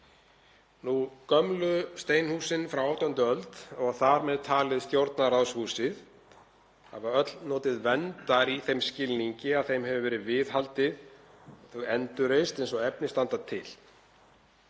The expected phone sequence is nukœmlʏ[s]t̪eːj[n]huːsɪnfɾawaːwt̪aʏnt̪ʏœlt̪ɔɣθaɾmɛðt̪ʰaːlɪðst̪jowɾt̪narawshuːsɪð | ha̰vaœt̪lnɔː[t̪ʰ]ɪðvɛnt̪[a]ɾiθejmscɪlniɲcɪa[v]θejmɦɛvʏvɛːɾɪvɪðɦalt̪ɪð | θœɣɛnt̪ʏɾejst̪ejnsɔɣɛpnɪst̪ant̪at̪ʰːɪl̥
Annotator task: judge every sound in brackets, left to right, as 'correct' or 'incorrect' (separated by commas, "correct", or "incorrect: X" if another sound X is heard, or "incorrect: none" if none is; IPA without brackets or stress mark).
correct, correct, incorrect: t̪, correct, incorrect: ð